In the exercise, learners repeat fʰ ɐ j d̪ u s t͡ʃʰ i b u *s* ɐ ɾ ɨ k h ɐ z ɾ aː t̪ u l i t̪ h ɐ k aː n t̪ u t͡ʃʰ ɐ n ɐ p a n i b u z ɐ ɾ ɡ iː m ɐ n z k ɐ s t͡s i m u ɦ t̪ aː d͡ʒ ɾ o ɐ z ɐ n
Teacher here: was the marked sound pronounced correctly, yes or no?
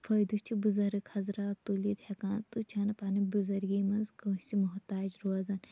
no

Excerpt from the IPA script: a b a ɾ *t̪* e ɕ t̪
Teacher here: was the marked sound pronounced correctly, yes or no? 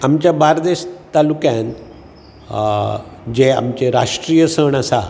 no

